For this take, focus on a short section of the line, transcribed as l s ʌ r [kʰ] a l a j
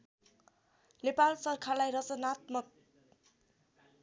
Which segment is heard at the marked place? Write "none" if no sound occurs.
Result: kʰ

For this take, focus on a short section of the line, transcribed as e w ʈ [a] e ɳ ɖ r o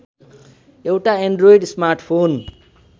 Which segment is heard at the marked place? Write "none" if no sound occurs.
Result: a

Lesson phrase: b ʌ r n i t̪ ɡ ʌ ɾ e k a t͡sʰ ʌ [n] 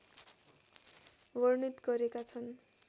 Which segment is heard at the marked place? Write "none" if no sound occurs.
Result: n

